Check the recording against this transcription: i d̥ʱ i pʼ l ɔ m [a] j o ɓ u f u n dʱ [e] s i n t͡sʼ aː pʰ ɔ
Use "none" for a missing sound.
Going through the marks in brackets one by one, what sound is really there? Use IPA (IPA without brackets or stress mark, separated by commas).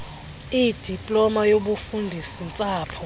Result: a, i